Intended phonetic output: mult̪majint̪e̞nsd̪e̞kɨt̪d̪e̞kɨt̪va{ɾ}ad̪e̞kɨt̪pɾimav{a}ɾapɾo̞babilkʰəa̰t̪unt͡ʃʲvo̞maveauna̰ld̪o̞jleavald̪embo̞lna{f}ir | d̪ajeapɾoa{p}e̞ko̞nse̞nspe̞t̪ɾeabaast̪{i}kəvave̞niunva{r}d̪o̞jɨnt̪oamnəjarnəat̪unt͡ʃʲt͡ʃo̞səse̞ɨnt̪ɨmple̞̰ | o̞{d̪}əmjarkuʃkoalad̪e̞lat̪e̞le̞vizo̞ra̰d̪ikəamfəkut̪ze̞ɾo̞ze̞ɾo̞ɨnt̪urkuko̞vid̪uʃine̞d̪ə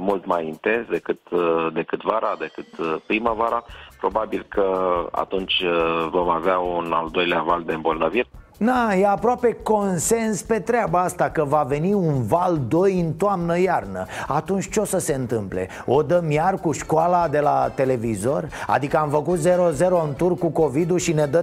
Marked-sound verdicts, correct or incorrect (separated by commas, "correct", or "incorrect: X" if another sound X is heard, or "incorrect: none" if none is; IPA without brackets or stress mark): correct, correct, incorrect: v, correct, incorrect: a, incorrect: l, correct